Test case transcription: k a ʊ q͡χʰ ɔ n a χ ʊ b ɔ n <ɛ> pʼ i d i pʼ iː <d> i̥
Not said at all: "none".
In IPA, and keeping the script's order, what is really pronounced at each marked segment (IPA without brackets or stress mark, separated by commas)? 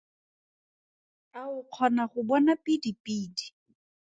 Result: a, d